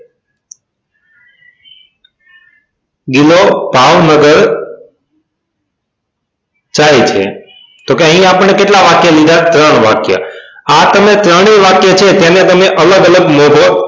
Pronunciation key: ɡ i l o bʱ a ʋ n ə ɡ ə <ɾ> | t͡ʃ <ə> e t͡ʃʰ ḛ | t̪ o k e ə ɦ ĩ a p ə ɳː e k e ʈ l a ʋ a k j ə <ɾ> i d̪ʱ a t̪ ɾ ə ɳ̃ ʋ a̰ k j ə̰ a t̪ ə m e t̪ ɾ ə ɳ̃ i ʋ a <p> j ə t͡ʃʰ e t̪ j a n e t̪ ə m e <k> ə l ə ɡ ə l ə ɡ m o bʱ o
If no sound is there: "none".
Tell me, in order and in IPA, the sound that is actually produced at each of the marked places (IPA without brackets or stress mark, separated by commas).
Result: ɾ, a, l, k, ʔ